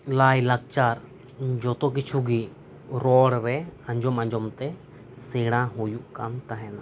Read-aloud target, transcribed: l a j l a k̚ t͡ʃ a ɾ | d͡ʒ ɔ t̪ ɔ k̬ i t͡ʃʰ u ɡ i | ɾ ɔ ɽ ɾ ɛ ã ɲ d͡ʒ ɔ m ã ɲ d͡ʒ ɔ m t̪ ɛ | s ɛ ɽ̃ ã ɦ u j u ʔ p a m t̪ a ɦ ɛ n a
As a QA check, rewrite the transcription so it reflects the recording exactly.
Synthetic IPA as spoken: l a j l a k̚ t͡ʃ a ɾ | d͡ʒ ɔ t̪ ɔ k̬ i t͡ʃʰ u ɡ i | ɾ ɔ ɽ ɾ ɛ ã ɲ d͡ʒ ɔ m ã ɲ d͡ʒ ɔ m t̪ ɛ | s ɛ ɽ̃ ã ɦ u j u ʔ k a m t̪ a ɦ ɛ n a